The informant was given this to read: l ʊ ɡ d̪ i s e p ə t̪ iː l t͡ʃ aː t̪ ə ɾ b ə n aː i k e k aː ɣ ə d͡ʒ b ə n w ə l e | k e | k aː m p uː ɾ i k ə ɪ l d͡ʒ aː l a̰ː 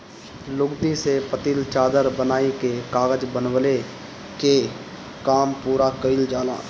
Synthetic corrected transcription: l ʊ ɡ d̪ i s e p ə t̪ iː l t͡ʃ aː d̪ ə ɾ b ə n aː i k e k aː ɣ ə d͡ʒ b ə n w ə l e | k e | k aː m p uː ɾ a k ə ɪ l d͡ʒ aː l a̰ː

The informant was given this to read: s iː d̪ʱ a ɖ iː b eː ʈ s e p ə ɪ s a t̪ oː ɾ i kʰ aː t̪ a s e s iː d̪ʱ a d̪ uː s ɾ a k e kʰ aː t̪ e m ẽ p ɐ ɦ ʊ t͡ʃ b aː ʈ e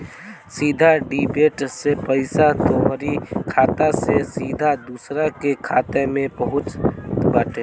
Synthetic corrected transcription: s iː d̪ʱ a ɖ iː b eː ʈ s e p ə ɪ s a t̪ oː ɾ i kʰ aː t̪ a s e s iː d̪ʱ a d̪ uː s ɾ a k e kʰ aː t̪ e m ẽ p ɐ ɦ ʊ t͡ʃ b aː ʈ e

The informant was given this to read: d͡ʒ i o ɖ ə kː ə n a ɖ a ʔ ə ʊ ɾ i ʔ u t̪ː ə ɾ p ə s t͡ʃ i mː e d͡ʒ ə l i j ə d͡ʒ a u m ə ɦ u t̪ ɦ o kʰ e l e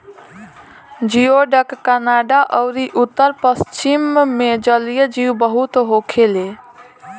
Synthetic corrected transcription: d͡ʒ i o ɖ ə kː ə n a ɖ a ʔ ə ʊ ɾ i ʔ u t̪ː ə ɾ p ə s t͡ʃ i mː e d͡ʒ ə l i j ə d͡ʒ i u b ə ɦ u t̪ ɦ o kʰ e l e

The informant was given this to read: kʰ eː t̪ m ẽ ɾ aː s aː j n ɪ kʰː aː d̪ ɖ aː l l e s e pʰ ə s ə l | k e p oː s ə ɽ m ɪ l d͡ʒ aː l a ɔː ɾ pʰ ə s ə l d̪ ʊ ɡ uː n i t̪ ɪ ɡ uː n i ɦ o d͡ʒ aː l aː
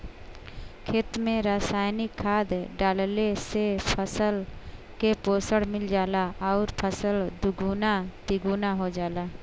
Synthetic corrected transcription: kʰ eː t̪ m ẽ ɾ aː s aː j n ɪ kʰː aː d̪ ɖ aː l l e s e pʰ ə s ə l | k e p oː s ə ɽ m ɪ l d͡ʒ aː l a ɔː ɾ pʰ ə s ə l d̪ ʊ ɡ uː n a t̪ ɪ ɡ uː n a ɦ o d͡ʒ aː l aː

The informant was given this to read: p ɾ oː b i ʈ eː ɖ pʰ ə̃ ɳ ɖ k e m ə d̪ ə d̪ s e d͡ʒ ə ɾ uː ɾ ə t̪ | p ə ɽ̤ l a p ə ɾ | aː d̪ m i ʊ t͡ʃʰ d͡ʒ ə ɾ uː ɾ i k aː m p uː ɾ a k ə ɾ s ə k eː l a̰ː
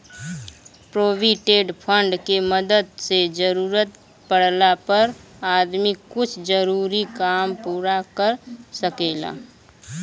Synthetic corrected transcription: p ɾ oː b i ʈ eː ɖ pʰ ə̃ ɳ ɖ k e m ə d̪ ə d̪ s e d͡ʒ ə ɾ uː ɾ ə t̪ | p ə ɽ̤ l a p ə ɾ | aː d̪ m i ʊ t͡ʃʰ d͡ʒ ə ɾ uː ɾ i k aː m p uː ɾ a k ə ɾ s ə k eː l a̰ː

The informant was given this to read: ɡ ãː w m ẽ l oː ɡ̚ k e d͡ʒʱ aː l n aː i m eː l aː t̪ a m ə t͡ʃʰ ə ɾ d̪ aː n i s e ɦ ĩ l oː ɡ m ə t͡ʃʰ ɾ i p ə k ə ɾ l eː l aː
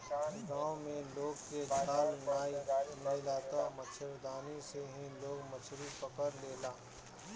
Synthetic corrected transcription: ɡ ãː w m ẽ l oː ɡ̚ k e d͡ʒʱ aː l n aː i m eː l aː t̪ a m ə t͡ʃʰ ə ɾ d̪ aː n i s e ɦ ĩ l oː ɡ m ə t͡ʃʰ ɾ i p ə k ə ɾ l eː l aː

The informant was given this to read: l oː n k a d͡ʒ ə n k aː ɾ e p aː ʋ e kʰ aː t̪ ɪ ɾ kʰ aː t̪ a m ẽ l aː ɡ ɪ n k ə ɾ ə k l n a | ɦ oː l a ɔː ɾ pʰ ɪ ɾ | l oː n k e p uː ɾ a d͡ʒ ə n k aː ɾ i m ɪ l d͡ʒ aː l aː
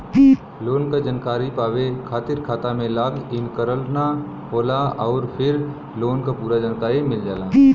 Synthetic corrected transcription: l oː n k a d͡ʒ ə n k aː ɾ i p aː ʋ e kʰ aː t̪ ɪ ɾ kʰ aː t̪ a m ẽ l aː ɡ ɪ n k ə ɾ ə l n a | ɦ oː l a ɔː ɾ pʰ ɪ ɾ | l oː n k a p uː ɾ a d͡ʒ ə n k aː ɾ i m ɪ l d͡ʒ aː l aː

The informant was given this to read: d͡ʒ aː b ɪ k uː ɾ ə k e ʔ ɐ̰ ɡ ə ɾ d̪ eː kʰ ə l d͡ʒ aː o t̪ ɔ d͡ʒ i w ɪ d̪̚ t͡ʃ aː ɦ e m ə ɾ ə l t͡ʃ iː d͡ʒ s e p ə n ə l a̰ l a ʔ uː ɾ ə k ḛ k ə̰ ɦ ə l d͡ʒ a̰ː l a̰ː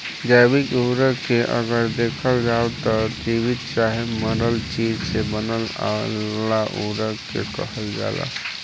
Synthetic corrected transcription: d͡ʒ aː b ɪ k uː ɾ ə k e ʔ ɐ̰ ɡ ə ɾ d̪ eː kʰ ə l d͡ʒ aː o t̪ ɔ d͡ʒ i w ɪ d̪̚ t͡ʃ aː ɦ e m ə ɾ ə l t͡ʃ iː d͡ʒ s e b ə n ə l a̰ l a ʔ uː ɾ ə k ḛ k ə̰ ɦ ə l d͡ʒ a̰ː l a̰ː

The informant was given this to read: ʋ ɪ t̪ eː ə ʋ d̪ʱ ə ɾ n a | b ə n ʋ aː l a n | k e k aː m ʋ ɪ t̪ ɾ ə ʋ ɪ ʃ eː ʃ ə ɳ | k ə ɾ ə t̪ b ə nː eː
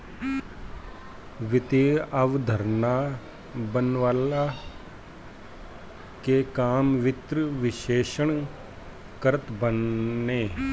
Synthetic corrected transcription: ʋ ɪ t̪ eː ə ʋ d̪ʱ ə ɾ n a | b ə n ʋ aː l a | k e k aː m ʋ ɪ t̪ ɾ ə ʋ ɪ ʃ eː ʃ ə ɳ | k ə ɾ ə t̪ b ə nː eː

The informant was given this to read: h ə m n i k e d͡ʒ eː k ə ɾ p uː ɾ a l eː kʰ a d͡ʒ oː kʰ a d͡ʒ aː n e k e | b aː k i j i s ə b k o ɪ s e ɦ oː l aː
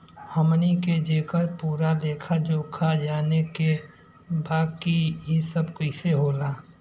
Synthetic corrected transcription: h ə m n i k e d͡ʒ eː k ə ɾ p uː ɾ a l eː kʰ a d͡ʒ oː kʰ a d͡ʒ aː n e k e | b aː k i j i s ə b k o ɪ s e ɦ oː l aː

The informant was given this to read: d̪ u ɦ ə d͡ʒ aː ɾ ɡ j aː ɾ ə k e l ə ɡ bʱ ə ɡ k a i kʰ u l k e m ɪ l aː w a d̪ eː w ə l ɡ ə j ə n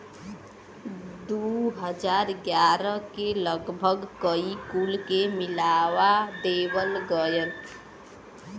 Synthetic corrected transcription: d̪ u ɦ ə d͡ʒ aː ɾ ɡ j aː ɾ ə k e l ə ɡ bʱ ə ɡ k ə i k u l k e m ɪ l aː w a d̪ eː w ə l ɡ ə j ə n

